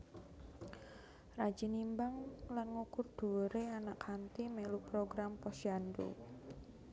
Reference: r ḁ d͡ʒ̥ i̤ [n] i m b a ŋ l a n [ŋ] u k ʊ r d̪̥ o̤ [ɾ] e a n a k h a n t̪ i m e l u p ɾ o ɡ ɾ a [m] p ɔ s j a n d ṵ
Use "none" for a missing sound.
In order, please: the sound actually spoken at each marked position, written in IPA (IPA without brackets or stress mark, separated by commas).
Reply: n, ŋ, ɾ, m